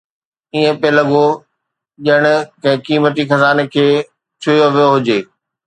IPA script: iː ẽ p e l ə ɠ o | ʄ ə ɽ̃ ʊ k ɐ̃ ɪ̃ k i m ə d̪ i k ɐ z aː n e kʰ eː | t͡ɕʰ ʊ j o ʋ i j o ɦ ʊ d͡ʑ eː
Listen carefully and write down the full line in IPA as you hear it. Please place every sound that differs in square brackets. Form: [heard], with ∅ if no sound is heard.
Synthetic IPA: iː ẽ p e l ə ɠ o | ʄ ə ɽ̃ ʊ k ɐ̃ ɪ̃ k [iː] m ə [t̪] i [x] ɐ z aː n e kʰ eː | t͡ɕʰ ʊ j o ʋ i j o ɦ ʊ d͡ʑ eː